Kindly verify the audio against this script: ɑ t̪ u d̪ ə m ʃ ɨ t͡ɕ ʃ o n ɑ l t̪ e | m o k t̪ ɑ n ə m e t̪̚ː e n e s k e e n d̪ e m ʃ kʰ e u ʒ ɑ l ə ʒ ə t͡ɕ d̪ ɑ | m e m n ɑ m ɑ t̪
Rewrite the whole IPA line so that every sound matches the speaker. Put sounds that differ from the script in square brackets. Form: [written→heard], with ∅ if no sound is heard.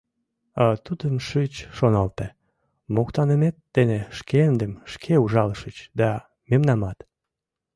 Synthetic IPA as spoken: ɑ t̪ u d̪ ə m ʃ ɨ t͡ɕ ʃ o n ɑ l t̪ e | m o k t̪ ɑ n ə m e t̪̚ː e n e [s→ʃ] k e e n d̪ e m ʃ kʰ e u ʒ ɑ l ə [ʒ→ʃ] ə t͡ɕ d̪ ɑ | m e m n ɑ m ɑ t̪